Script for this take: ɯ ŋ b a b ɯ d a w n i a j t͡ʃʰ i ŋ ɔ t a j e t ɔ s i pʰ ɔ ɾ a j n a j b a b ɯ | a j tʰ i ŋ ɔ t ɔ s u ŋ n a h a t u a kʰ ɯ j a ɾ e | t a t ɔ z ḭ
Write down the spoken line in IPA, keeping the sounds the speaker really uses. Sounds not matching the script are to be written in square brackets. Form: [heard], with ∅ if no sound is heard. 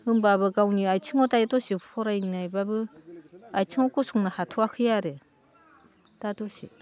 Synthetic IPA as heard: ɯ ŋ b a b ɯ [ɡ] a w n i a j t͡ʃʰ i ŋ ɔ t a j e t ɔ s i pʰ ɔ ɾ a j n a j b a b ɯ | a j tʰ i ŋ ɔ [k] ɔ s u ŋ n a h a [tʰ] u a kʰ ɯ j a ɾ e | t a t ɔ [s] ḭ